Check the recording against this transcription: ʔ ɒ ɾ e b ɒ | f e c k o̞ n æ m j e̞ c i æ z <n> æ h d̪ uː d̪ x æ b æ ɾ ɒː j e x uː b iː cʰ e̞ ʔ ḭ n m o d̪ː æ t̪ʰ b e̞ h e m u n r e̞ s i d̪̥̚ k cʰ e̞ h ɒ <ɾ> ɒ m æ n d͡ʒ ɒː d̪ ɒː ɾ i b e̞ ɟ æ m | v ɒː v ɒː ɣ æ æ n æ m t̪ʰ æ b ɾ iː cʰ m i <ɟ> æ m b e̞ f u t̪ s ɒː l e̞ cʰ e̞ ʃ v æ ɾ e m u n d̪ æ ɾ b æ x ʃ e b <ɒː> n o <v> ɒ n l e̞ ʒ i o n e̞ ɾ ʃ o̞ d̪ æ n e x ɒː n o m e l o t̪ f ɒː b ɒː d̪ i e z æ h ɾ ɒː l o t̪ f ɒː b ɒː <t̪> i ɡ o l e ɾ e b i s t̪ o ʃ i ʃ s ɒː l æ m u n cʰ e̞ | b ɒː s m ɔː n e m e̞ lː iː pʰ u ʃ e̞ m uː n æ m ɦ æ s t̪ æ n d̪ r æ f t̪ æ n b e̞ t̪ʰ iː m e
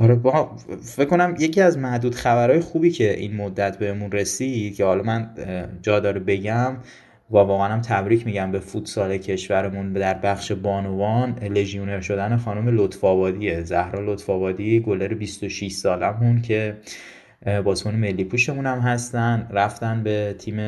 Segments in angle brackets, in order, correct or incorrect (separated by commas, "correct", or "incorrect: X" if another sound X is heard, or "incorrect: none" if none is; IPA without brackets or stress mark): incorrect: m, incorrect: l, correct, correct, correct, incorrect: d̪